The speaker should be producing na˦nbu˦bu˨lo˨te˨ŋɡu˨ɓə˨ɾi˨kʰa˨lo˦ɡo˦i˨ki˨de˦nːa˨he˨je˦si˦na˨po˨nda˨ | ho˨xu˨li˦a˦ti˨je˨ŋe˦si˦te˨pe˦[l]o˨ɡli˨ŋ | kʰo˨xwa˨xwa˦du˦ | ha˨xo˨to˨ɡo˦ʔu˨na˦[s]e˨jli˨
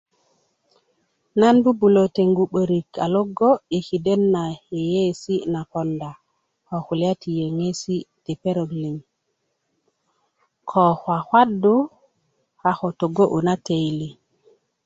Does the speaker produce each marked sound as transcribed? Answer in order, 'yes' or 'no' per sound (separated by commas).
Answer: no, no